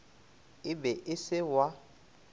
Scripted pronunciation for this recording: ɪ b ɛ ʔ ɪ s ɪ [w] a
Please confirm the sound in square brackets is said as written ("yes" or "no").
yes